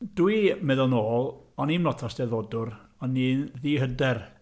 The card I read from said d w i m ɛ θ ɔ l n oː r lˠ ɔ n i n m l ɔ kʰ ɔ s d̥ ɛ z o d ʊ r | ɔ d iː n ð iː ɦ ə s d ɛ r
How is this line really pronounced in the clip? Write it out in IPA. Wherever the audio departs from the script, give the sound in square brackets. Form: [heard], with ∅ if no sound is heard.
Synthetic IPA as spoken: d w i m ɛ [ð] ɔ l n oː [∅] lˠ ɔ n i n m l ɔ [tʰ] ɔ s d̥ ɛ [ð] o d ʊ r | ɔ [n] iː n ð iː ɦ ə [∅] d ɛ r